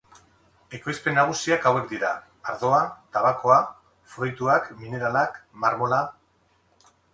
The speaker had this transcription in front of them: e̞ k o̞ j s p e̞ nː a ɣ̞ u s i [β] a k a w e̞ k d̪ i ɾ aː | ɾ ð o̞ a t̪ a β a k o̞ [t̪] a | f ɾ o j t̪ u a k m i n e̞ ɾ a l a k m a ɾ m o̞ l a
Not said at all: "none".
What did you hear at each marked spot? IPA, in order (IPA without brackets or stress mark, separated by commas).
none, none